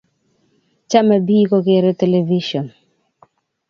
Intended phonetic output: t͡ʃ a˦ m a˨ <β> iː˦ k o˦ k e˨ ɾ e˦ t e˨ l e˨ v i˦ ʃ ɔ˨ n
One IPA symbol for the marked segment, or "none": b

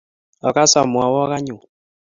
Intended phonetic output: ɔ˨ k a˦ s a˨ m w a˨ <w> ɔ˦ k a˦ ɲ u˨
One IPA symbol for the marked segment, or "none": w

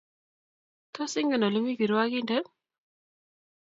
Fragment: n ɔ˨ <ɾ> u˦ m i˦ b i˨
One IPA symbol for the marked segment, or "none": l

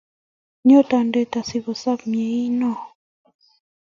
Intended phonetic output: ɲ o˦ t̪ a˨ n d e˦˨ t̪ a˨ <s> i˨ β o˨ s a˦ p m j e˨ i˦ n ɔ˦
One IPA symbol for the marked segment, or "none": s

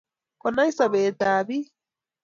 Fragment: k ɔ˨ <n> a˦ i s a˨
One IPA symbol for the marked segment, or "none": n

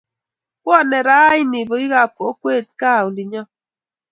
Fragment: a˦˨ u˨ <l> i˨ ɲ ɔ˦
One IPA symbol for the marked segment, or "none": l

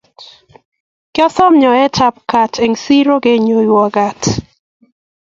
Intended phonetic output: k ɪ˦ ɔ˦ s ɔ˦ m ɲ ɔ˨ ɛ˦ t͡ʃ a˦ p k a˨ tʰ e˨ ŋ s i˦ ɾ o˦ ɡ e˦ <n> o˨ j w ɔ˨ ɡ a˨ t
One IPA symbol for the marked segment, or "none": ɲ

